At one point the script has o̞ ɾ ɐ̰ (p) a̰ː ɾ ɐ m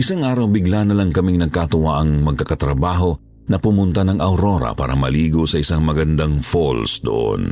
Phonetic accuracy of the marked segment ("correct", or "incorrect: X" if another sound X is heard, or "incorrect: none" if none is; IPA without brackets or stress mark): correct